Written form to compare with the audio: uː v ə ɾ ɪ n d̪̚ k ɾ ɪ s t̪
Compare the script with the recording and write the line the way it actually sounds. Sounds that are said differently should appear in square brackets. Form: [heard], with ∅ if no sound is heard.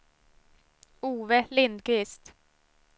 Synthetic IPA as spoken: uː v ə [l] ɪ n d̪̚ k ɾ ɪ s t̪